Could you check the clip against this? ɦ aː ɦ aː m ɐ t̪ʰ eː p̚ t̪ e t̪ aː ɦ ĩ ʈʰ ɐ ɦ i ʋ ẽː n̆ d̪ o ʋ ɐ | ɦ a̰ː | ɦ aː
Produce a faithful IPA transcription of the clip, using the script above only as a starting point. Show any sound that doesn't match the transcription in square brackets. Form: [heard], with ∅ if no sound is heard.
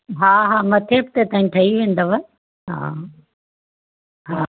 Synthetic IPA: ɦ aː ɦ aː m ɐ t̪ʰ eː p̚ t̪ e t̪ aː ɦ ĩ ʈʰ ɐ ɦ i ʋ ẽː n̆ d̪ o ʋ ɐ | ɦ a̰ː | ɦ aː

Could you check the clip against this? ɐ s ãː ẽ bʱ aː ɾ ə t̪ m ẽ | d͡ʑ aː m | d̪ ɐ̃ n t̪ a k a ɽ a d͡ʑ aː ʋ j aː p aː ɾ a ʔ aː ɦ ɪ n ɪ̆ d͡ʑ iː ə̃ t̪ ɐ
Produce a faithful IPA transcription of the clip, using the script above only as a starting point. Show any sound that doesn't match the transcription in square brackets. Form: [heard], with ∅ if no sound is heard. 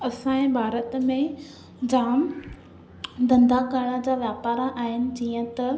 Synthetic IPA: ɐ s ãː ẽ bʱ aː ɾ ə t̪ m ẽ | d͡ʑ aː m | d̪ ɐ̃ n [d̪] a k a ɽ a d͡ʑ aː ʋ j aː p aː ɾ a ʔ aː ɦ ɪ n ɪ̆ d͡ʑ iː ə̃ t̪ ɐ

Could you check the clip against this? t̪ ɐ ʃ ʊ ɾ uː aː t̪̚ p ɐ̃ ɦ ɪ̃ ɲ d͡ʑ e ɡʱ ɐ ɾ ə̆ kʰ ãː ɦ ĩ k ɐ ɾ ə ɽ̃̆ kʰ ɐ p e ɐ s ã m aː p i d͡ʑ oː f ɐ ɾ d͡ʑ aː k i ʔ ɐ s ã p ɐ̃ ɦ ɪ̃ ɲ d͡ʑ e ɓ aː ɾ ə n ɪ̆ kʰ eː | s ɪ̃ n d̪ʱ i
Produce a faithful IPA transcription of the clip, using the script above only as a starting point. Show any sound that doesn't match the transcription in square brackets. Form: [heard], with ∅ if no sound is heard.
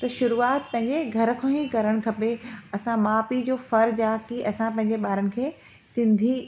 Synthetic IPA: t̪ ɐ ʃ ʊ ɾ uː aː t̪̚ p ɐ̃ ɦ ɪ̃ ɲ d͡ʑ e ɡʱ ɐ ɾ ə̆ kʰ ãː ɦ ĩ k ɐ ɾ ə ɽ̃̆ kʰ ɐ p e ɐ s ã m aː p i d͡ʑ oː f ɐ ɾ d͡ʑ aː k i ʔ ɐ s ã p ɐ̃ ɦ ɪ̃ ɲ d͡ʑ e ɓ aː ɾ ə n ɪ̆ kʰ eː | s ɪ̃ n d̪ʱ i

